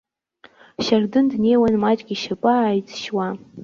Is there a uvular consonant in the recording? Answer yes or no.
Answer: no